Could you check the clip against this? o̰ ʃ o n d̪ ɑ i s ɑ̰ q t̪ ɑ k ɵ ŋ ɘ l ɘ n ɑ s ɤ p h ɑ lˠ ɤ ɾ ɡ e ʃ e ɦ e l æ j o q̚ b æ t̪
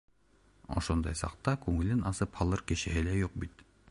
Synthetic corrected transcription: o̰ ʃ o n d̪ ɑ j s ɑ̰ q t̪ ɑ k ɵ ŋ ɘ l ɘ n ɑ s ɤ p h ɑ lˠ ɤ ɾ k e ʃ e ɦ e l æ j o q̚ b i t̪